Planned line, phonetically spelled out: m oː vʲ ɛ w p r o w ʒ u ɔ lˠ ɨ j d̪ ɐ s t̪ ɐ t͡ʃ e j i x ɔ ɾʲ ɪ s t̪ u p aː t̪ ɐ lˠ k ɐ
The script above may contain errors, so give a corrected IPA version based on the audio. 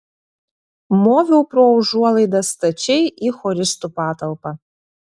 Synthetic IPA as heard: m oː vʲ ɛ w p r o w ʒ u ɔ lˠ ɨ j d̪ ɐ s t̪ ɐ t͡ʃ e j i x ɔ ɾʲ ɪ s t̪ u p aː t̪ ɐ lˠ p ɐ